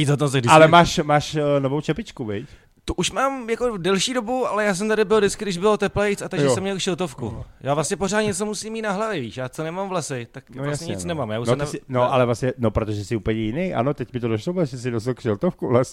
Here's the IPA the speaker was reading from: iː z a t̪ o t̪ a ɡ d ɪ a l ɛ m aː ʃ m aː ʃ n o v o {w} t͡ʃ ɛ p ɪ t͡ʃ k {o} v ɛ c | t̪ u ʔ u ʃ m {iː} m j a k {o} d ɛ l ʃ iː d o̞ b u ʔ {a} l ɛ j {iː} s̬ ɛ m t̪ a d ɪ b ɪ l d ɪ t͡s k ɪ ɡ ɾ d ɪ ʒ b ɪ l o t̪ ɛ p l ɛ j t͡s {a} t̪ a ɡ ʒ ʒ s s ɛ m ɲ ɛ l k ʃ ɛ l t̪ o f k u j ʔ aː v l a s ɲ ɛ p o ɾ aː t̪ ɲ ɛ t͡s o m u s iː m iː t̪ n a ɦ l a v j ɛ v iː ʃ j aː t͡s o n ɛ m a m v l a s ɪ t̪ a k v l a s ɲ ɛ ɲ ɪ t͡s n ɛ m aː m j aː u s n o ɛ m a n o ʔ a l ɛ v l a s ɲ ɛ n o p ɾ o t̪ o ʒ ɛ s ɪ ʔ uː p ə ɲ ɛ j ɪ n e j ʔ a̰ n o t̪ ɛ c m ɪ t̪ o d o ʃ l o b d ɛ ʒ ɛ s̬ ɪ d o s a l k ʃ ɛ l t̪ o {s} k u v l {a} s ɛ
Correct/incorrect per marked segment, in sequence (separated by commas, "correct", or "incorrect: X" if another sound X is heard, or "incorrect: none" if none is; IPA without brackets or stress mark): correct, incorrect: u, incorrect: aː, correct, correct, incorrect: aː, correct, incorrect: f, correct